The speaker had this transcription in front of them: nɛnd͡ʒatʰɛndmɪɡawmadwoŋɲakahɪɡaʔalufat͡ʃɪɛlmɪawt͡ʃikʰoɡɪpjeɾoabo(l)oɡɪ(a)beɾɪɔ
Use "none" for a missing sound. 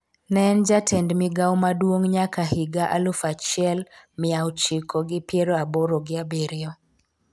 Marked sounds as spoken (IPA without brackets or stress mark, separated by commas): ɾ, a